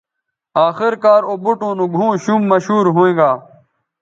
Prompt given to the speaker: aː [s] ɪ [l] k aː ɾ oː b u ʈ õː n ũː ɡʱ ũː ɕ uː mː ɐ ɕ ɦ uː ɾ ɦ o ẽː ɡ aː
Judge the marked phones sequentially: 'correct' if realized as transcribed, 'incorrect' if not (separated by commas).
incorrect, incorrect